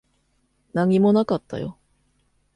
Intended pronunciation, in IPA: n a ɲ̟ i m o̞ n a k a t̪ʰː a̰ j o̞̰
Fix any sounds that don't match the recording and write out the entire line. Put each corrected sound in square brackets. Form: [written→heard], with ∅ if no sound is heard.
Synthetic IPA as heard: n a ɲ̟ i m o̞ n a k a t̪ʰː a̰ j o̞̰

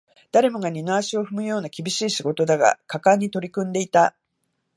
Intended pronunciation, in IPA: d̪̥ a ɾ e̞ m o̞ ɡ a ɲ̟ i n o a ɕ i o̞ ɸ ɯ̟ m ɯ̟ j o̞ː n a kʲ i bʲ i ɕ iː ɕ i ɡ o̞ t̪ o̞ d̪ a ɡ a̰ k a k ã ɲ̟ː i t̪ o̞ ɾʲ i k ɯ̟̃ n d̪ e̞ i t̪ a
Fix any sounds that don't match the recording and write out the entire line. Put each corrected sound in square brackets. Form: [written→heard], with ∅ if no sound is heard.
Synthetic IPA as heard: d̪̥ a ɾ e̞ m o̞ ɡ a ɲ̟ i n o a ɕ i o̞ ɸ ɯ̟ m ɯ̟ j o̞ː n a kʲ i bʲ i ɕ iː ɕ i ɡ o̞ t̪ o̞ d̪ a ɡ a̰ k a k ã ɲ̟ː i t̪ o̞ ɾʲ i k ɯ̟̃ n d̪ e̞ i t̪ a

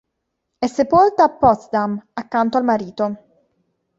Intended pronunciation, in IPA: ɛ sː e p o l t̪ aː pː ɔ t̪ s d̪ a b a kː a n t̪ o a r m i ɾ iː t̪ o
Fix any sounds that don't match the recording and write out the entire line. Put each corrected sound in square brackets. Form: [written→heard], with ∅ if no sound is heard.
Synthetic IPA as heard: ɛ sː e p o l t̪ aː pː ɔ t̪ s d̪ a [b→m] a kː a n t̪ o a [r→l] m [i→a] ɾ iː t̪ o

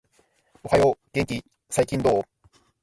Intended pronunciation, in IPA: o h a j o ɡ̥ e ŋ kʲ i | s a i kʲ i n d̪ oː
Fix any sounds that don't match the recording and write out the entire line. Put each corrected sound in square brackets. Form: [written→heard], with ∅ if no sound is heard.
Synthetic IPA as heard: o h a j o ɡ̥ e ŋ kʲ i | s a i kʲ [i→ĩ] n d̪ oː

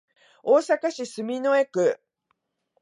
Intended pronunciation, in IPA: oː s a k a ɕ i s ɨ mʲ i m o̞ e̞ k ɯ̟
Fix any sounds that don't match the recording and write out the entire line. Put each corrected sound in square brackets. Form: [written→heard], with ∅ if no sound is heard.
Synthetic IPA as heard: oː s a k a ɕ i s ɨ mʲ i [m→n] o̞ e̞ k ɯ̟

